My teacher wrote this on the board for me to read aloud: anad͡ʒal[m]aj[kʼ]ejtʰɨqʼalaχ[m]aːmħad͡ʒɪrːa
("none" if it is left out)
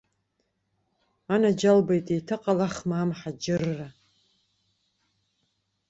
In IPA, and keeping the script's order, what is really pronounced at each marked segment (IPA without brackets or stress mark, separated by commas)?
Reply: b, tʼ, m